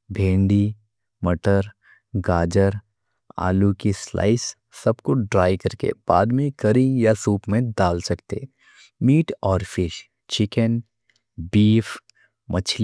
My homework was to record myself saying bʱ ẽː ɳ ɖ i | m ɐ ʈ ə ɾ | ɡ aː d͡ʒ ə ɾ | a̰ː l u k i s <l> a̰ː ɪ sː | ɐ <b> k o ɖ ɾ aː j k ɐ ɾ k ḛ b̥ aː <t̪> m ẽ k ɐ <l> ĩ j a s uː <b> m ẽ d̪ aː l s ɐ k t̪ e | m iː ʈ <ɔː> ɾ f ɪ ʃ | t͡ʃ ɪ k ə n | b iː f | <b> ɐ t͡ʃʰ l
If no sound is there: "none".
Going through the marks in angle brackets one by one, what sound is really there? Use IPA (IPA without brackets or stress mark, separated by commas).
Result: l, b, d̪, ɾ, p, ɔː, m